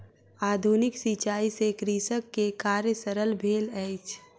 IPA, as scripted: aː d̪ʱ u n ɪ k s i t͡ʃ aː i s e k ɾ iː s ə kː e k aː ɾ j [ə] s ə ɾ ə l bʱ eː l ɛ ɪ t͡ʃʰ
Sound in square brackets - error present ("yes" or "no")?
no